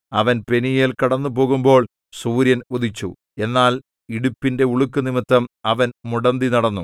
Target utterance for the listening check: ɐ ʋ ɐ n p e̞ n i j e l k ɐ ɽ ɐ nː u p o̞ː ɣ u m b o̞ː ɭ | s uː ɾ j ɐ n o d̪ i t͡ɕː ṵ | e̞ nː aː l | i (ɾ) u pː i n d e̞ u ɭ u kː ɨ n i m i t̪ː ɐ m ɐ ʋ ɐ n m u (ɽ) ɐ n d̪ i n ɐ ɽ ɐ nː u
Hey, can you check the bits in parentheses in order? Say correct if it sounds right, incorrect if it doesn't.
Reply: incorrect: ɽ, correct

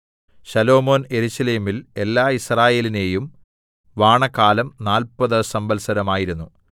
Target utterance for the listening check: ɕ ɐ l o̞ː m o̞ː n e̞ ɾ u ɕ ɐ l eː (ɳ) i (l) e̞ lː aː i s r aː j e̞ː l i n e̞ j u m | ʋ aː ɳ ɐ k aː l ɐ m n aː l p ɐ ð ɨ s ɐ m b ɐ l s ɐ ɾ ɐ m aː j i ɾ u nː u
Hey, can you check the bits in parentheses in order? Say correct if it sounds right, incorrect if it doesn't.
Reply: incorrect: m, correct

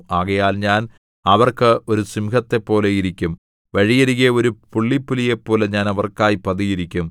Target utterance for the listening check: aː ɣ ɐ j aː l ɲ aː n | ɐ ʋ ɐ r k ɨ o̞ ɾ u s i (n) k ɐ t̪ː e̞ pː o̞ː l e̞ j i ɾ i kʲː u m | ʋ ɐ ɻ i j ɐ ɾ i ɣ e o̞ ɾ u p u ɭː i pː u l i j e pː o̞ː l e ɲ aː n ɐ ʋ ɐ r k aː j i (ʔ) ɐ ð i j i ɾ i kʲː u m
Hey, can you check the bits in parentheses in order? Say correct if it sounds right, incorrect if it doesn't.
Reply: incorrect: m, incorrect: p

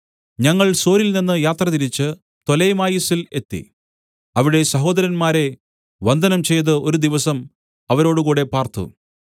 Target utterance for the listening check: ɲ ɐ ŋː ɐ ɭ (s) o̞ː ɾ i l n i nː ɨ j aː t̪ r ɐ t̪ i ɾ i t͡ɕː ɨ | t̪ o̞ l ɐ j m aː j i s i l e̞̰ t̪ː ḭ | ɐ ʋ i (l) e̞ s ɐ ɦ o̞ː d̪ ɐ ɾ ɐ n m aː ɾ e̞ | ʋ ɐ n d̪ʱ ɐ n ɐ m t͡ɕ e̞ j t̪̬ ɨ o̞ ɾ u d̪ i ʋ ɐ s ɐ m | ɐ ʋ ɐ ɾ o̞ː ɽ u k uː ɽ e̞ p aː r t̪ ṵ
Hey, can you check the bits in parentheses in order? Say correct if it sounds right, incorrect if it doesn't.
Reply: correct, incorrect: ɽ

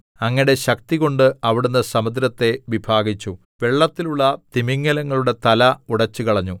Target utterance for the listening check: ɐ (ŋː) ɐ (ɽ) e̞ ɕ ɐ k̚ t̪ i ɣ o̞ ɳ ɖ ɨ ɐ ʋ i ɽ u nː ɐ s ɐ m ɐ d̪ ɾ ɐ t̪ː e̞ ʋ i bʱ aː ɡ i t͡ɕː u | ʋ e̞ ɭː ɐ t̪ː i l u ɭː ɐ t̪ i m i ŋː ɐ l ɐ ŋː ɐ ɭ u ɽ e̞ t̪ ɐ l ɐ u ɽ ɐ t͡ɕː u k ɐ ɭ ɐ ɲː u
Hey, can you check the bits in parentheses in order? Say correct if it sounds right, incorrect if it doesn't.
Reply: correct, correct

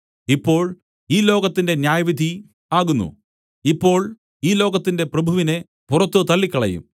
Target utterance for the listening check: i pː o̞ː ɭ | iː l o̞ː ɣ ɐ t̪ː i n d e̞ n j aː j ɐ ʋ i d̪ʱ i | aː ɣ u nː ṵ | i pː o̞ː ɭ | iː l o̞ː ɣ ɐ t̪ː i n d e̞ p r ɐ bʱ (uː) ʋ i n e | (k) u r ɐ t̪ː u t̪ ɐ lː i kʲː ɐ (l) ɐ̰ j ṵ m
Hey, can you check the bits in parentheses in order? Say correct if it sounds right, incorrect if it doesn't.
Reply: incorrect: u, incorrect: p, incorrect: ɭ

